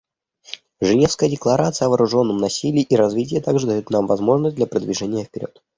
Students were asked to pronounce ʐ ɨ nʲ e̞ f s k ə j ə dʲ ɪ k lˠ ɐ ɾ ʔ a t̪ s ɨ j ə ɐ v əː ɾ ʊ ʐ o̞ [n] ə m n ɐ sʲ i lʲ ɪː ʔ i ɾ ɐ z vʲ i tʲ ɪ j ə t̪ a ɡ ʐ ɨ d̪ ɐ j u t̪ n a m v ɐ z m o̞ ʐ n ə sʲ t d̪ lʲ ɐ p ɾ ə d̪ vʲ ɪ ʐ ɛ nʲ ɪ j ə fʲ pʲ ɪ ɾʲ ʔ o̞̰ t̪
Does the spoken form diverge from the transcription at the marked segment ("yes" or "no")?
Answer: yes